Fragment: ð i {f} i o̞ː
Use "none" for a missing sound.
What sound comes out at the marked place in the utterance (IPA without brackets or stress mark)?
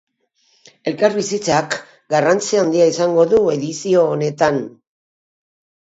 s